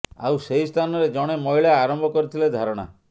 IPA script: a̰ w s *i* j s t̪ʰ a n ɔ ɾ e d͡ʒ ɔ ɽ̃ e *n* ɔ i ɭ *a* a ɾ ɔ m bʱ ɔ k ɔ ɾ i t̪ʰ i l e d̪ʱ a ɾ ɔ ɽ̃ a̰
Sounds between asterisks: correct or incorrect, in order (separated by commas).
incorrect, incorrect, correct